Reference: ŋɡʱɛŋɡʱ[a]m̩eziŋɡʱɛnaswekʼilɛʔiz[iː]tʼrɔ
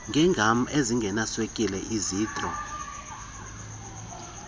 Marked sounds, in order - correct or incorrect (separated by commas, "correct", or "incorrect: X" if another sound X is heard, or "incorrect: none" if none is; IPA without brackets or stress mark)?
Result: correct, correct